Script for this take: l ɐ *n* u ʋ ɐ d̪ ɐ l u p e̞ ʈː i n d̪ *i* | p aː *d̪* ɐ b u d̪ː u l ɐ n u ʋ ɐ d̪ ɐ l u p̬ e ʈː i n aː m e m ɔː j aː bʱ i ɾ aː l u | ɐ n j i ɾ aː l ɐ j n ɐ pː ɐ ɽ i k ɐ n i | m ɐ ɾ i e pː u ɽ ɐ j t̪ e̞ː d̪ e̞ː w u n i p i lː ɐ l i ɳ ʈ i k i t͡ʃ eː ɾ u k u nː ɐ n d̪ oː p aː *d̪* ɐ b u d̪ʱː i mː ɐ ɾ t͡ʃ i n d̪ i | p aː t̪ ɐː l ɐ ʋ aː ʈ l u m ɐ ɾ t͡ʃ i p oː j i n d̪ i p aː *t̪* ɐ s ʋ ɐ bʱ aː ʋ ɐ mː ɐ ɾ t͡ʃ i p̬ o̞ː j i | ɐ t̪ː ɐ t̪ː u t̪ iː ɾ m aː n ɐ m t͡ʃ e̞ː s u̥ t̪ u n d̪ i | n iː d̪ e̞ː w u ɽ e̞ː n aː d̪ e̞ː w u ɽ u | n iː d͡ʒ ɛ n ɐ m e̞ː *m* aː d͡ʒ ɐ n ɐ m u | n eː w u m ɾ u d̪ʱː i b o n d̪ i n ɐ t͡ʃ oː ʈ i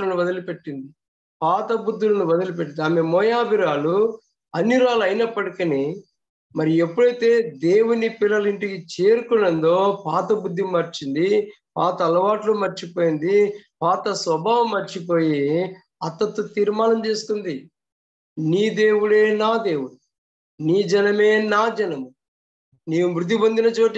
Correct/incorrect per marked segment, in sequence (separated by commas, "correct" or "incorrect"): correct, correct, incorrect, incorrect, correct, incorrect